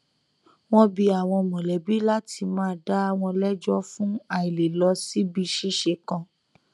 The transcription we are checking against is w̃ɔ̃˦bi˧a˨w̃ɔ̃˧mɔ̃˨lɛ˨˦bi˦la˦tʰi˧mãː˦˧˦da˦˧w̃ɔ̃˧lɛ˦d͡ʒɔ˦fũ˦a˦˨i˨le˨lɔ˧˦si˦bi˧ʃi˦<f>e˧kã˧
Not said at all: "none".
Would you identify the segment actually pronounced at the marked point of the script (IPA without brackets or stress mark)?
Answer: ʃ